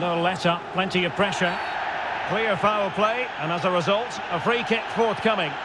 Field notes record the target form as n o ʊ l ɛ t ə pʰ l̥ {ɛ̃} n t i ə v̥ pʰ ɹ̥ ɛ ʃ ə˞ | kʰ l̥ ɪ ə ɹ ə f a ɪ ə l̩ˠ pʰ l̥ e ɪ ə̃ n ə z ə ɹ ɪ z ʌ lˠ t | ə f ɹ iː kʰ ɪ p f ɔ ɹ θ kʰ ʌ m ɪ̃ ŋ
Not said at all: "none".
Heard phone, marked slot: ɛ̃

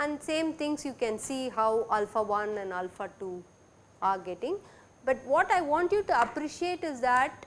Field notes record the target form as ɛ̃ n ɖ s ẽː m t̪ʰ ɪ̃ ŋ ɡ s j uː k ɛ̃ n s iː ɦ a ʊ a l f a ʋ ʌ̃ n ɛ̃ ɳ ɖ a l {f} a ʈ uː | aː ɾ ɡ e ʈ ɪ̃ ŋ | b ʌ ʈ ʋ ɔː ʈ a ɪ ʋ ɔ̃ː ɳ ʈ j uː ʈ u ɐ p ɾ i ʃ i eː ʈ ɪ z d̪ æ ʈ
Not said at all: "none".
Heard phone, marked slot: f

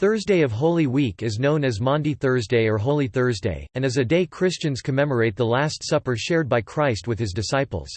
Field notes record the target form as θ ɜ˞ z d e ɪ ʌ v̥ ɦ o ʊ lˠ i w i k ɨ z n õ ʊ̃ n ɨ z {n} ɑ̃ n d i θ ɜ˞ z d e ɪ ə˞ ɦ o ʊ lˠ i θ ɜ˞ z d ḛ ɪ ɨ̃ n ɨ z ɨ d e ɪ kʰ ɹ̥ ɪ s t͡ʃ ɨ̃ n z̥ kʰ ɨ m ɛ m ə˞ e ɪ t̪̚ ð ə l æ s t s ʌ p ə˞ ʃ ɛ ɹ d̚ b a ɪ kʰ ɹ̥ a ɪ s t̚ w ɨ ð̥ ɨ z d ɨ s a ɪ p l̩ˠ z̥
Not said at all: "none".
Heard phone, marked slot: m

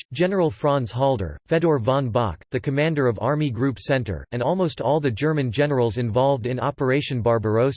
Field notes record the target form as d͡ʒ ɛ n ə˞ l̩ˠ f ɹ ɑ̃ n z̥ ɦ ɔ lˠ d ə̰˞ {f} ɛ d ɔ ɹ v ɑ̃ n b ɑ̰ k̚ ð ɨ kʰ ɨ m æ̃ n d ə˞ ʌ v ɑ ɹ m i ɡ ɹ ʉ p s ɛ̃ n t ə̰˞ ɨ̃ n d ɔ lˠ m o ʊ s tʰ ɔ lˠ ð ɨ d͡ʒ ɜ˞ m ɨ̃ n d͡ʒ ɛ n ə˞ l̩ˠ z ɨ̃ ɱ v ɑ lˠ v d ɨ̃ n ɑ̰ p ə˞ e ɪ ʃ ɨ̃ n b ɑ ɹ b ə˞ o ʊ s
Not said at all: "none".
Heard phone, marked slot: f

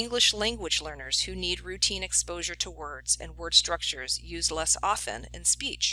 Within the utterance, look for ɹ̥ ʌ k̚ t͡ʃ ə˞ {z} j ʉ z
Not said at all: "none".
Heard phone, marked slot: z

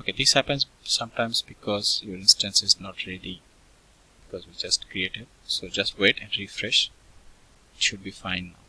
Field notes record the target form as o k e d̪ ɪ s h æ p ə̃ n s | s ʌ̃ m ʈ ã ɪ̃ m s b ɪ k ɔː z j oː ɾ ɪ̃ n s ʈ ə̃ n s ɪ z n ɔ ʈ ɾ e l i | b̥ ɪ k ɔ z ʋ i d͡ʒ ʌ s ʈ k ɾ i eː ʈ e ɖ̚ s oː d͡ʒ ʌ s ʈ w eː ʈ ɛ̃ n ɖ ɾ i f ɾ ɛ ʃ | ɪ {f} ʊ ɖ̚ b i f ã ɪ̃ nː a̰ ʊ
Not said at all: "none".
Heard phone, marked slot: ʃ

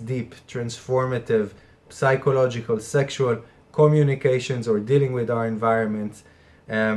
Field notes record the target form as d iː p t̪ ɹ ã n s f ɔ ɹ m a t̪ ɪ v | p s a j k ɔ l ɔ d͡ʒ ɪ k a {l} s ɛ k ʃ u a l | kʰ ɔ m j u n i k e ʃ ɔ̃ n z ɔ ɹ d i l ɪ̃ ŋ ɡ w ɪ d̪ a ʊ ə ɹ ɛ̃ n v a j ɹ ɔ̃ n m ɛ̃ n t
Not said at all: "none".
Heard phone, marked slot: l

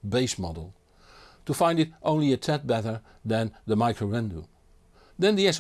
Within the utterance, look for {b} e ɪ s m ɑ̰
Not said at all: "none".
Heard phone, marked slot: b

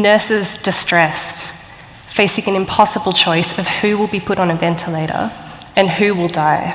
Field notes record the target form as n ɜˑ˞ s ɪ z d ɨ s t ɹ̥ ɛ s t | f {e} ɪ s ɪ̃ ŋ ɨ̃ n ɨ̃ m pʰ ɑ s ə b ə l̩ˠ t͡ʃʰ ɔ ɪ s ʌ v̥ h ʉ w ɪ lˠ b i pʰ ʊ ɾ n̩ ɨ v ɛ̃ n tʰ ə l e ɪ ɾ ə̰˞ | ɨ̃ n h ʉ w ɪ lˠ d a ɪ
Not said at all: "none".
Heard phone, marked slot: e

